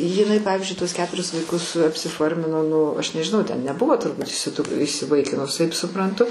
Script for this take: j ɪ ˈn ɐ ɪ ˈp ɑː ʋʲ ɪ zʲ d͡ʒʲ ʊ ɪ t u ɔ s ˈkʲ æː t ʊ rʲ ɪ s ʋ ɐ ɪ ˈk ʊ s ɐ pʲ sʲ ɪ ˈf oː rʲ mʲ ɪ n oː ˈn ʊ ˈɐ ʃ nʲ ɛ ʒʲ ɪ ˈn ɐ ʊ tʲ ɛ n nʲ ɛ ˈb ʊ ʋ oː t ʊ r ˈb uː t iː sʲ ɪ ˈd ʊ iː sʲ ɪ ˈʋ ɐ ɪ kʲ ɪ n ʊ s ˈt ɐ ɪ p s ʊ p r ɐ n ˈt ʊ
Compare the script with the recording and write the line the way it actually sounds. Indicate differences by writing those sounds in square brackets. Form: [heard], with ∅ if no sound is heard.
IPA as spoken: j ɪ ˈn ɐ ɪ ˈp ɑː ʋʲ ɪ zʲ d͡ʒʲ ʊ ɪ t u ɔ s ˈkʲ æː t ʊ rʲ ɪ s ʋ ɐ ɪ ˈk ʊ s ɐ pʲ sʲ ɪ ˈf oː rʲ mʲ ɪ n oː ˈn ʊ ˈɐ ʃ nʲ ɛ ʒʲ ɪ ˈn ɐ ʊ tʲ ɛ n nʲ ɛ ˈb ʊ ʋ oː t ʊ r ˈb uː t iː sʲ ɪ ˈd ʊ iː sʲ ɪ ˈʋ ɐ ɪ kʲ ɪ n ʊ s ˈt ɐ ɪ p s ʊ p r ɐ n ˈt ʊ